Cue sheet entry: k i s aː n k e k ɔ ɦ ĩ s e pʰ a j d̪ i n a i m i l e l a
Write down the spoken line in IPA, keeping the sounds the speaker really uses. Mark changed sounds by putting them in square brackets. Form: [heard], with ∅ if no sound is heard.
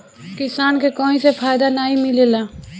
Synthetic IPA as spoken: k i s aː n k e k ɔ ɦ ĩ s e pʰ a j d̪ [a] n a i m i l e l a